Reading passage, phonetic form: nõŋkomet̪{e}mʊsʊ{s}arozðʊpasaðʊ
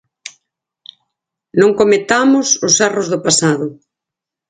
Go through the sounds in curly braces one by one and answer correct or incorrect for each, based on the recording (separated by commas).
incorrect, correct